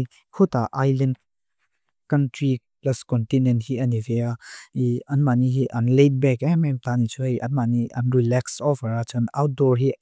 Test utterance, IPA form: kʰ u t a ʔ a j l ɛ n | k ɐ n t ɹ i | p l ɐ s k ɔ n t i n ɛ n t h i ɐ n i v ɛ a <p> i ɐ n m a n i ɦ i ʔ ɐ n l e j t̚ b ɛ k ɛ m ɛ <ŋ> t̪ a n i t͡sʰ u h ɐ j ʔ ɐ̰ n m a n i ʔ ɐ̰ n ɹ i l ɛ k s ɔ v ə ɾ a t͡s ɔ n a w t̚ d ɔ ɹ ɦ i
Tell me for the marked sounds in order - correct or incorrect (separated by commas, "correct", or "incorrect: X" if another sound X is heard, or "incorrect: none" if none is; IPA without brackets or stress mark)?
incorrect: none, incorrect: m